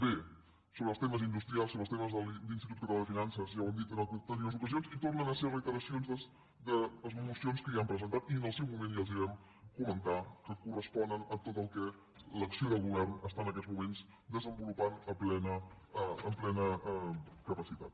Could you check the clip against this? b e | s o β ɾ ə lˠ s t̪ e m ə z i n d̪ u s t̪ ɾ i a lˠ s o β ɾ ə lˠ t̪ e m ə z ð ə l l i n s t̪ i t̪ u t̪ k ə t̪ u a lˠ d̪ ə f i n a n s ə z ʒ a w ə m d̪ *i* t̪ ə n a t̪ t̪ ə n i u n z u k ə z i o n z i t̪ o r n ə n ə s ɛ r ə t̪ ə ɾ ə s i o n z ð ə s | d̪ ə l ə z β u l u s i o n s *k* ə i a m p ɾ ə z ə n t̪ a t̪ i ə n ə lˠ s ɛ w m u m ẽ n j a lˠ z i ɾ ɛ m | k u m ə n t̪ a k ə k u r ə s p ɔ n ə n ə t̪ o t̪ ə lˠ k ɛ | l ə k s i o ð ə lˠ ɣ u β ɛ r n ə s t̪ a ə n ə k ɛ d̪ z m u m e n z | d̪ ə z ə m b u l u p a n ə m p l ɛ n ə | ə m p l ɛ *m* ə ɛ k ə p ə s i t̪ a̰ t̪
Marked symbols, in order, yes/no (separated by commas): yes, yes, no